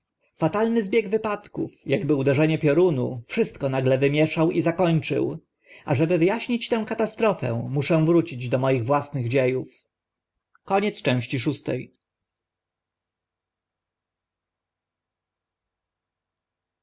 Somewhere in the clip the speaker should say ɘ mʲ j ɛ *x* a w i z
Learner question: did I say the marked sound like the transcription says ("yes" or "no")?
no